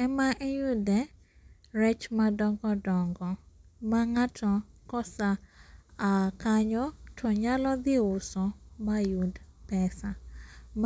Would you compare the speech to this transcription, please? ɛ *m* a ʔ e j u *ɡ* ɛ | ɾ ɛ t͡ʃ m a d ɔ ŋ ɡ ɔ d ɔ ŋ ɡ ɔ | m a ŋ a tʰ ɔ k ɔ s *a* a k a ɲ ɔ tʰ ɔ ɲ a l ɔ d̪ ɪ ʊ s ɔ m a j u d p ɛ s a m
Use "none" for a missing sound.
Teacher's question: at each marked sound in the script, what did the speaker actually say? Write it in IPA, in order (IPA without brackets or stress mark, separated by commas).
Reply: m, d, a